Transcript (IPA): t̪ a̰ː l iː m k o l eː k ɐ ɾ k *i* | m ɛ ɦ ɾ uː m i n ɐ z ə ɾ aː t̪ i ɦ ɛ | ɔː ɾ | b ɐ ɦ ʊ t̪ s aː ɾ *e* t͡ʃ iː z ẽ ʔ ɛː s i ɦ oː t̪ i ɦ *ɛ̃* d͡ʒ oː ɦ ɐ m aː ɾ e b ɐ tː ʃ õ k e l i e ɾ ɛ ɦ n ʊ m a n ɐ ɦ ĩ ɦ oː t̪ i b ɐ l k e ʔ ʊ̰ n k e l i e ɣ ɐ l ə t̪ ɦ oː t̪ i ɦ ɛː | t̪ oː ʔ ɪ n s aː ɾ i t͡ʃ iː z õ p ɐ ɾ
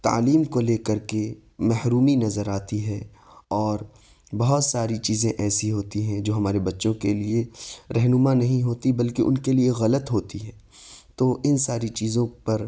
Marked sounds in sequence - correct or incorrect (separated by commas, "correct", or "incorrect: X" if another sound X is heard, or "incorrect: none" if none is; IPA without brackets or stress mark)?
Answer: incorrect: e, incorrect: i, correct